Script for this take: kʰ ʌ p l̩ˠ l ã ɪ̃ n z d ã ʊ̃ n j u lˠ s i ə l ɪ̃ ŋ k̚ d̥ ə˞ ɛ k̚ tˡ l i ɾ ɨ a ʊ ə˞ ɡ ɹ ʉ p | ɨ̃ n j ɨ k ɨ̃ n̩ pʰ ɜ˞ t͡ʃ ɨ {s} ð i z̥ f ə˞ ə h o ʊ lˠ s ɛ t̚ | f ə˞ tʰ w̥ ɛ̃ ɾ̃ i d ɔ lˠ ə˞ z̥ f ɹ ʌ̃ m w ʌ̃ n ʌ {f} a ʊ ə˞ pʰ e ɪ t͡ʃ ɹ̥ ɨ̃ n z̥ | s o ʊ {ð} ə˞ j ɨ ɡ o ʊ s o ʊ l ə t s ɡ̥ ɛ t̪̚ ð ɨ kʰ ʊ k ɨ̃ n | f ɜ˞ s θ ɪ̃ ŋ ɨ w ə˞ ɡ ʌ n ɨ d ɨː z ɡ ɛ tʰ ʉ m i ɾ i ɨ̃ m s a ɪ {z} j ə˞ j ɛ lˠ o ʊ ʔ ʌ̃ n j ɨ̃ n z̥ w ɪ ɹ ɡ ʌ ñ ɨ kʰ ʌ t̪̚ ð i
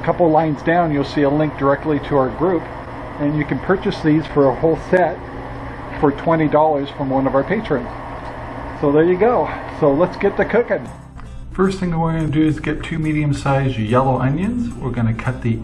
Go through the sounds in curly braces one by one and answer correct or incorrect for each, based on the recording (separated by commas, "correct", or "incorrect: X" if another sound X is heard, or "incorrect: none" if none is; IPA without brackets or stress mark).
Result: correct, incorrect: v, correct, correct